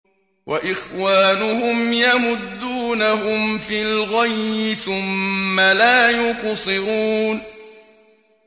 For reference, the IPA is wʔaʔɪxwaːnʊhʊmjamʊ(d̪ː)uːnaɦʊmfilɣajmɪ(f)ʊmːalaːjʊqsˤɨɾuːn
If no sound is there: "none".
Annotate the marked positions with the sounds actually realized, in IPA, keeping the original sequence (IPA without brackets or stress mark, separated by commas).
d̪ː, θ